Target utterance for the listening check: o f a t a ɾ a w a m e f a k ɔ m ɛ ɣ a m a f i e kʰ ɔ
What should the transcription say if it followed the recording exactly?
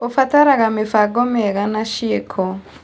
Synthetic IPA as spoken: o f a t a ɾ a ɣ a m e f a ɡ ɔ m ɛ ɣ a n a ʃ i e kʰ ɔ